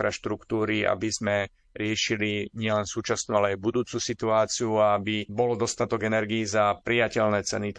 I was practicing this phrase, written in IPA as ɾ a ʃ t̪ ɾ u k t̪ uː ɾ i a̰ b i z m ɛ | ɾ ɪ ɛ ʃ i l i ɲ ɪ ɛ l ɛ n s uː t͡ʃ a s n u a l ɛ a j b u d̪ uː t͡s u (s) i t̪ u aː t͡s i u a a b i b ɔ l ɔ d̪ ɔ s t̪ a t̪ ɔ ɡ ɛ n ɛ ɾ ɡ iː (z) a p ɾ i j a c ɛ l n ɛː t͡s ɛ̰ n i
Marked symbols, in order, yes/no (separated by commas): yes, yes